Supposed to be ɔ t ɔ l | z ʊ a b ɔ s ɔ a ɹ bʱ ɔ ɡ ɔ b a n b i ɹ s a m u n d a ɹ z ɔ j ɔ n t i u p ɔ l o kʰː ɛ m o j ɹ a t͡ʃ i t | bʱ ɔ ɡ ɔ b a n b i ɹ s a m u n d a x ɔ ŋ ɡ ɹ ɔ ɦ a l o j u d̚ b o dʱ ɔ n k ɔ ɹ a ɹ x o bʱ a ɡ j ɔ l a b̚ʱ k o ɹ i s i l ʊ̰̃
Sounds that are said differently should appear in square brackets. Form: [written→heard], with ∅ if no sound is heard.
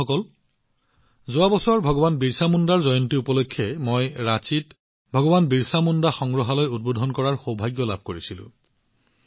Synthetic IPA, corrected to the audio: ɔ [t→k] ɔ l | z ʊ a b ɔ s ɔ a ɹ bʱ ɔ ɡ ɔ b a n b i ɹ s a m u n d a ɹ z ɔ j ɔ n t i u p ɔ l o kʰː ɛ m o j ɹ a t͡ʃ i t | bʱ ɔ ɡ ɔ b a n b i ɹ s a m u n d a x ɔ ŋ ɡ ɹ ɔ ɦ a l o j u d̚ b o dʱ ɔ n k ɔ ɹ a ɹ x o bʱ a ɡ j ɔ l a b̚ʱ k o ɹ i s i l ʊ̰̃